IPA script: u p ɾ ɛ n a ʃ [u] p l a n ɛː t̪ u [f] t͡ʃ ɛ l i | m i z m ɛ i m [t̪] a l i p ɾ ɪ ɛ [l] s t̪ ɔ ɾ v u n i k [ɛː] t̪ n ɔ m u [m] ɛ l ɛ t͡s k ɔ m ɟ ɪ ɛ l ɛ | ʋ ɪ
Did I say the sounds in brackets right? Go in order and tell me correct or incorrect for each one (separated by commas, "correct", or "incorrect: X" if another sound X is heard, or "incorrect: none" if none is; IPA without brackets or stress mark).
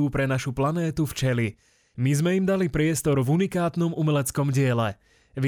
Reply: correct, correct, incorrect: d̪, incorrect: none, incorrect: aː, correct